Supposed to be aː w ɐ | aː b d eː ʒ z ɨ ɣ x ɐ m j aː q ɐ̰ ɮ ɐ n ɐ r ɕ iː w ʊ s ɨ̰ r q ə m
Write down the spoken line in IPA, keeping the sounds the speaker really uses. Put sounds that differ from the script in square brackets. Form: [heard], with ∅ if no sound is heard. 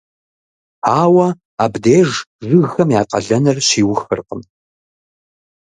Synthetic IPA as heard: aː w ɐ | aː b d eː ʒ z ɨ ɣ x ɐ m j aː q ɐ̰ ɮ ɐ n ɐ r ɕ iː w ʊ [x] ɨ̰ r q ə m